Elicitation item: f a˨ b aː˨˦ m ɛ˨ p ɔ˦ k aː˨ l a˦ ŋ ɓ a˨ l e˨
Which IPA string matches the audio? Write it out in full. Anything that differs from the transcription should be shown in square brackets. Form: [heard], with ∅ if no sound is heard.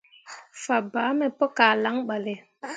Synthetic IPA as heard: f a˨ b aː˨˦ m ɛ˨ p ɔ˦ k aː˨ l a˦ ŋ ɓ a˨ l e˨